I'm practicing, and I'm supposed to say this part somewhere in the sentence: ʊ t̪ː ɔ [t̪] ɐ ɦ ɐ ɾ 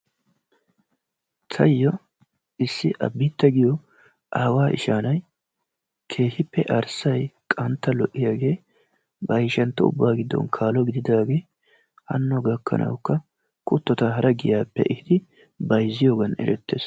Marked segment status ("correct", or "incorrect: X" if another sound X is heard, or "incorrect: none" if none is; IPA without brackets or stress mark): correct